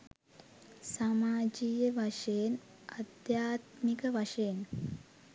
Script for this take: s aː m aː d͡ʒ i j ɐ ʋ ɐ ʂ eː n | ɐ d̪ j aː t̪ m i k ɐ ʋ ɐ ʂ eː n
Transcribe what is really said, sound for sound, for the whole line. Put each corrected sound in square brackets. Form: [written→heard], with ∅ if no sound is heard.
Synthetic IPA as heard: s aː m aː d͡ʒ i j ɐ ʋ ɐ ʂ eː n | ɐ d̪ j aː t̪ m i k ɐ ʋ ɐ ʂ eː n